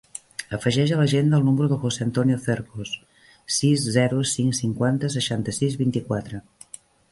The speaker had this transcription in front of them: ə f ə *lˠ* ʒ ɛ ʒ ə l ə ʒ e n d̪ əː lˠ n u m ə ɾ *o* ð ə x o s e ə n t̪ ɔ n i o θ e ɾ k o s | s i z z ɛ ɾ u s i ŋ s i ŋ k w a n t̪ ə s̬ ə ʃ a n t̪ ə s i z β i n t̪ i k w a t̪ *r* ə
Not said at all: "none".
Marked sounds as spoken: none, u, ɾ

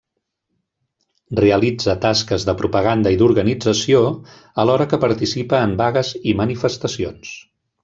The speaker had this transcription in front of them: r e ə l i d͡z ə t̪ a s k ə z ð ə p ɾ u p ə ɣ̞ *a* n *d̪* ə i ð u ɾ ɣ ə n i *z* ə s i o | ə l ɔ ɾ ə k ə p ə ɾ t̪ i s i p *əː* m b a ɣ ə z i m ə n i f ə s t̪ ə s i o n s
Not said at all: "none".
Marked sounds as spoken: a, d̪, d͡z, əː

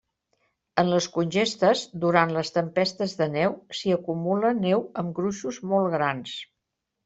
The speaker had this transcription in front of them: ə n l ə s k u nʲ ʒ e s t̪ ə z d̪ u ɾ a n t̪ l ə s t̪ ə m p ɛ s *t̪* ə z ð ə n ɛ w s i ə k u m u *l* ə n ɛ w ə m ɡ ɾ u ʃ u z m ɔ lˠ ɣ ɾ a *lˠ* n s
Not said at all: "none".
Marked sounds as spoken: t̪, l, none

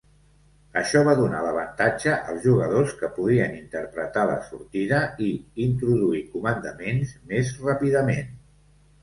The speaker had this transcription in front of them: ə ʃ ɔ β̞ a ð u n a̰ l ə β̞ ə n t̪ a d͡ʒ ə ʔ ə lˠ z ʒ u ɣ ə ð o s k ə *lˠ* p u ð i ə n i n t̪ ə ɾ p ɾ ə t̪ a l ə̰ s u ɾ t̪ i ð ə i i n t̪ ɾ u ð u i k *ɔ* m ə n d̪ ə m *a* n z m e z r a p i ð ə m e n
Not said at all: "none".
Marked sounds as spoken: none, u, e

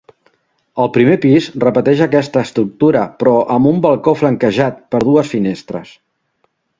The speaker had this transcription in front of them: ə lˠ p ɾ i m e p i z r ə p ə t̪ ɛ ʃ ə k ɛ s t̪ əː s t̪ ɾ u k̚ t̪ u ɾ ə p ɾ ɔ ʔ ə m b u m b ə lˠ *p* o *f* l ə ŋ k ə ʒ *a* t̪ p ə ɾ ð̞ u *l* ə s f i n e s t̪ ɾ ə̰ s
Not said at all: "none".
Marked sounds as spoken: k, f, a, none

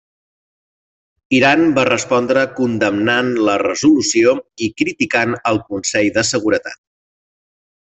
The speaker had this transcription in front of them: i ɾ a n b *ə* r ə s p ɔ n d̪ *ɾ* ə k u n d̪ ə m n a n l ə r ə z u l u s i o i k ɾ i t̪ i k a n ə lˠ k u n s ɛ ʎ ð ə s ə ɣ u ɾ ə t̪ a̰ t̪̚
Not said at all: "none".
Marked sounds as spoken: a, ɾ

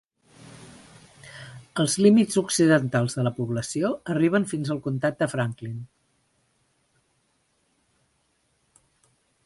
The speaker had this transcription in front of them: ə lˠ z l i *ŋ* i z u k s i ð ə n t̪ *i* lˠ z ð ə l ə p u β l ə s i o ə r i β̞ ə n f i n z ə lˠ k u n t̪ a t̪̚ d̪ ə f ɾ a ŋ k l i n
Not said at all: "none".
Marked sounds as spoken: m, a

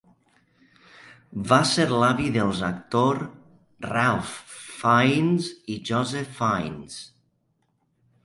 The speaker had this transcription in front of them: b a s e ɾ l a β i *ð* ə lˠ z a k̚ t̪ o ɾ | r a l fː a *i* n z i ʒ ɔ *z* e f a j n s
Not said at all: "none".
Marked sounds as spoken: ð, j, z

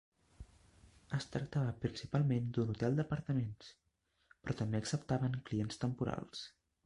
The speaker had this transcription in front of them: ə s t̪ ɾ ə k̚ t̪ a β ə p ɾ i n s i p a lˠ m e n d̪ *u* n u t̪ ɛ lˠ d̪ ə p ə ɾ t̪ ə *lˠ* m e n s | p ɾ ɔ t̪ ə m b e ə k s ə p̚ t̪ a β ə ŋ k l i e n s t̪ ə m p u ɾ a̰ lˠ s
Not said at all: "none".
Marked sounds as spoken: u, none

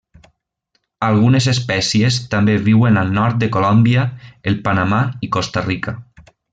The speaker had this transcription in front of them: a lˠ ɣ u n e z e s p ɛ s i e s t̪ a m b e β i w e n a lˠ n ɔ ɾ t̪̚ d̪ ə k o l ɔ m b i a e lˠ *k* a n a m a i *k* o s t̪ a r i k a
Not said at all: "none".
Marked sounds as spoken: p, k

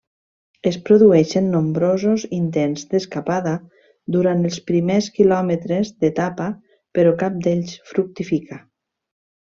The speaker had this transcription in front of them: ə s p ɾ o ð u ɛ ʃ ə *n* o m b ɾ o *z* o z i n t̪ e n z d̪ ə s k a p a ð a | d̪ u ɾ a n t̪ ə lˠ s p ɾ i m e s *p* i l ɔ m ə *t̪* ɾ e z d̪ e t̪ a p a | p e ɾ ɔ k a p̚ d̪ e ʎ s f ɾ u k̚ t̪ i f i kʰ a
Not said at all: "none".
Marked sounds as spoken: nː, z, k, t̪

